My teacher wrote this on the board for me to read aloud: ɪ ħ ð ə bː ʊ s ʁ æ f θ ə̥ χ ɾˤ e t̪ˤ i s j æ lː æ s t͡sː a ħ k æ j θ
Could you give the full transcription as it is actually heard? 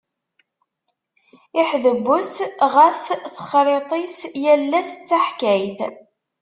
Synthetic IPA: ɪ ħ ð ə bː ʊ s ʁ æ f θ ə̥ χ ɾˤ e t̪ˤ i s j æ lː æ s t͡sː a ħ k æ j θ